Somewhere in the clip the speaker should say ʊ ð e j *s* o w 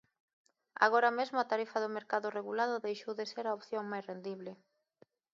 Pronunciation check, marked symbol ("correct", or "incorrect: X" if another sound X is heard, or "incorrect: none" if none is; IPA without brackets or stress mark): incorrect: ʃ